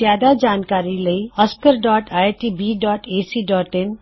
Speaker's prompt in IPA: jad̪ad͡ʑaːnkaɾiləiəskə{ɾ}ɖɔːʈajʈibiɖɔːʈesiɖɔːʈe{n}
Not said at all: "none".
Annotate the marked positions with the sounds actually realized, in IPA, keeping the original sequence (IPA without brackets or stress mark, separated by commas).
ɾ, n